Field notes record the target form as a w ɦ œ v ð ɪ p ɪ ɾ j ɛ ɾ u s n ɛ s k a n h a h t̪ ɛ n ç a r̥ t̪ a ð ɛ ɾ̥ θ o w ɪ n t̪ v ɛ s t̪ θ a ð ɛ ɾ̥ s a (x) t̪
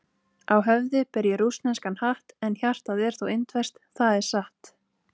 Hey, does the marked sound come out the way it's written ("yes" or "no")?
no